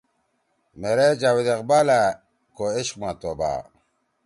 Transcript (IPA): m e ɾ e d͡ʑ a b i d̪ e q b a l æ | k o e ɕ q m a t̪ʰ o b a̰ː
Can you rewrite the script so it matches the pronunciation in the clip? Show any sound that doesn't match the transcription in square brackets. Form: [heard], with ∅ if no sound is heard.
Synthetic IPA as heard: m e ɾ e d͡ʑ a [w] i d̪ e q b a l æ | k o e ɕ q m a [t̪] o b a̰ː